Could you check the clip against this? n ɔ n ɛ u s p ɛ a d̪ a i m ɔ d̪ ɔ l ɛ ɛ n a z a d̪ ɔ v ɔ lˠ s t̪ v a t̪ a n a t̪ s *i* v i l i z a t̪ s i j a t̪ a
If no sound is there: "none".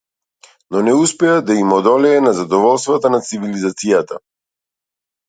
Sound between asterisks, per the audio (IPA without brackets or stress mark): i